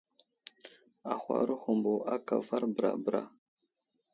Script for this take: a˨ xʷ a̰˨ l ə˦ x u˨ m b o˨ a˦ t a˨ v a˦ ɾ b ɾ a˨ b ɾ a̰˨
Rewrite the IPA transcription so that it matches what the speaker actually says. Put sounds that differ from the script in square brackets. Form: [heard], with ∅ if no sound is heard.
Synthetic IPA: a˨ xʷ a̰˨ [ɾ] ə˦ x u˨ m b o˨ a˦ [k] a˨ v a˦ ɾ b ɾ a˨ b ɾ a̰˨

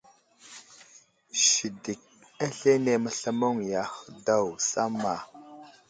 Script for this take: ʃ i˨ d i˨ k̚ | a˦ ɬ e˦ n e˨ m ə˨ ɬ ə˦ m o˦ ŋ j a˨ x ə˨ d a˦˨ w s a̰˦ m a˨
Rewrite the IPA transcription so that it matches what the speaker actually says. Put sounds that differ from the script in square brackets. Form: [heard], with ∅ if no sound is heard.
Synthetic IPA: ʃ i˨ d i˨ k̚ | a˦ ɬ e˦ n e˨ m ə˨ ɬ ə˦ m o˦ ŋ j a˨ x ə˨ d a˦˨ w s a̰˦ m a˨

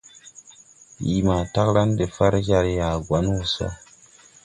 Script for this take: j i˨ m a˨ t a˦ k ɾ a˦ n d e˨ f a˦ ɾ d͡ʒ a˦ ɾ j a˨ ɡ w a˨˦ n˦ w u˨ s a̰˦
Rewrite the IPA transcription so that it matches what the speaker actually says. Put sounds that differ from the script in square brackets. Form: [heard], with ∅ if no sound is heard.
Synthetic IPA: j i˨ m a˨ t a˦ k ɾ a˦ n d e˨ f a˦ ɾ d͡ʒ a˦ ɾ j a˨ ɡ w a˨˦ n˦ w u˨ s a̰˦

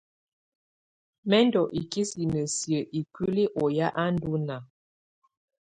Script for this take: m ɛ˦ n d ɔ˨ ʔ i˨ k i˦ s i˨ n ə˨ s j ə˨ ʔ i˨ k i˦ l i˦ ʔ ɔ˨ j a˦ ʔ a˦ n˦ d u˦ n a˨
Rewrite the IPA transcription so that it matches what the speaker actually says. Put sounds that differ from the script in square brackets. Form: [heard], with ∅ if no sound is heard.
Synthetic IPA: m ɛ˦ n d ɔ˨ ʔ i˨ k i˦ s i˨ n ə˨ s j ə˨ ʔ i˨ k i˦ l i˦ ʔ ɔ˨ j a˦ ʔ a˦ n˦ d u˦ n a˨

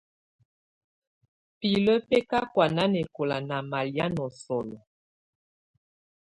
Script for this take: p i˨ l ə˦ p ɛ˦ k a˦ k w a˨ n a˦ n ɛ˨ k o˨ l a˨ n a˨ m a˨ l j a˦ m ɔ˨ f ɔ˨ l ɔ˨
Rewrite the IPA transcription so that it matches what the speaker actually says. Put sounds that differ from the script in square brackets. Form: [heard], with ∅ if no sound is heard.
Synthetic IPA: p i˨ l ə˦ p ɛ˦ k a˦ k w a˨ n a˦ n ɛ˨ k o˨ l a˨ n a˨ m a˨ l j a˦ [n] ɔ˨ [s] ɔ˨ l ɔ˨

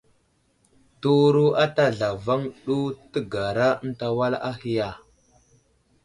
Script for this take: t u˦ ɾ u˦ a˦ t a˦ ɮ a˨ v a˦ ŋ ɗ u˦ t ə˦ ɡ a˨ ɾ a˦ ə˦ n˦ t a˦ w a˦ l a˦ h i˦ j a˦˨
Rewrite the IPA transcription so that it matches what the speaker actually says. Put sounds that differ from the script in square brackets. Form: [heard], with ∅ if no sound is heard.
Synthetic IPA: t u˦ ɾ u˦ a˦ t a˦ ɮ a˨ v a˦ ŋ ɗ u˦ t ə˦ ɡ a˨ ɾ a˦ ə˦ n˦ t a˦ w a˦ l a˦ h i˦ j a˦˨

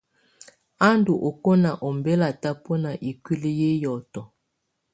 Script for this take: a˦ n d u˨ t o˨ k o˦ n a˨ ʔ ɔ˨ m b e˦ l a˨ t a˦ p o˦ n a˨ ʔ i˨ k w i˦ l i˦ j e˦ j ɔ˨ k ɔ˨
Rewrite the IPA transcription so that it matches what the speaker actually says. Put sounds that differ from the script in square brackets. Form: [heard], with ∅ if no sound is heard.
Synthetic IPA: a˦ n d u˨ [ʔ] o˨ k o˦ n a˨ ʔ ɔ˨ m b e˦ l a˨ t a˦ p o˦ n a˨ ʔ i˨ k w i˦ l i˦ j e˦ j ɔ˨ [t] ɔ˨

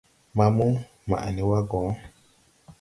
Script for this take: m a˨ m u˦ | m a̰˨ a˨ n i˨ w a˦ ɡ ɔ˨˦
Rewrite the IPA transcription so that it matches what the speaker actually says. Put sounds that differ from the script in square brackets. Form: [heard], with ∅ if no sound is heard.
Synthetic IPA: m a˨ m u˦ | m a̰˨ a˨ n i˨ w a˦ ɡ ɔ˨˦

